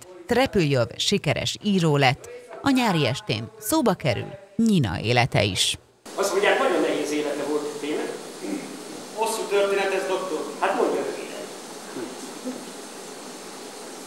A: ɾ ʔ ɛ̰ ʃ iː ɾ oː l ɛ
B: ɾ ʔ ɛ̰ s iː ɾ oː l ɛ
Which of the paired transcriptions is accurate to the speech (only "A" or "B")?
A